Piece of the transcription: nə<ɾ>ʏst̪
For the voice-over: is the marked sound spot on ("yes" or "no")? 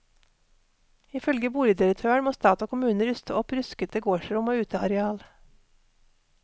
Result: yes